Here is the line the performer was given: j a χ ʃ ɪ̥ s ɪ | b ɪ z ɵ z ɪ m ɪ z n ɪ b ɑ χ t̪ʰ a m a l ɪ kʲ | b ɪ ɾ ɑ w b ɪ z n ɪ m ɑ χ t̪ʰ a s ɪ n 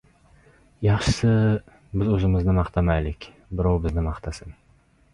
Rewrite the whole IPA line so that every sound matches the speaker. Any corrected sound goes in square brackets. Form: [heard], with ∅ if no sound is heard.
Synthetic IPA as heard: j [ɑ] χ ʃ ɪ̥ s ɪ | b ɪ z ɵ z ɪ m ɪ z n ɪ [m] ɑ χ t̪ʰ a m a l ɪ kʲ | b ɪ ɾ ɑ w b ɪ z n ɪ m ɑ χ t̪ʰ a s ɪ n